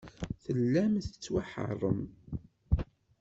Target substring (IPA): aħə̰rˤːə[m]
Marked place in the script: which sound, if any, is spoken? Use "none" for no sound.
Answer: m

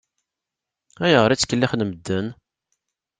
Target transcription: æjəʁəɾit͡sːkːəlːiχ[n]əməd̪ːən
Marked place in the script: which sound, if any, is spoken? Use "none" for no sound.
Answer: n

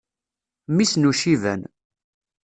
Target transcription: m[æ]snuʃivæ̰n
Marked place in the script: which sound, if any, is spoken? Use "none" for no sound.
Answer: i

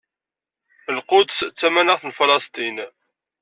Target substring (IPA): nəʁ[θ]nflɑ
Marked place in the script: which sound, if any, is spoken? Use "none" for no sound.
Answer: θ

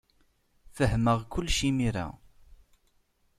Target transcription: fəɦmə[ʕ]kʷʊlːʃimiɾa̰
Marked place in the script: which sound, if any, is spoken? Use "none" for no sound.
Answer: ʁ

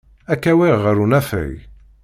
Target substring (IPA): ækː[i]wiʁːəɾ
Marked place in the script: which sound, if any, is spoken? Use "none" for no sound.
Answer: æ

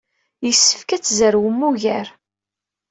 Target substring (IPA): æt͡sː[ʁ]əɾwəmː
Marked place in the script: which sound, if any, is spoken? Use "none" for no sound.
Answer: z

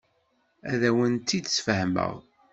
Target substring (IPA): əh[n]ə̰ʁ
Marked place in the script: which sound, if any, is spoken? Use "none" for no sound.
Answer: m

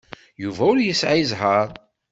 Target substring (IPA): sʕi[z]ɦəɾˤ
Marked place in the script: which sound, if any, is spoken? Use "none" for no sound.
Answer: z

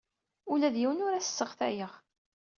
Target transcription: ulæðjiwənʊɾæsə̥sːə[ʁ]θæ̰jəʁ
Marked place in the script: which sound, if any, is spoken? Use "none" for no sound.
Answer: ʁ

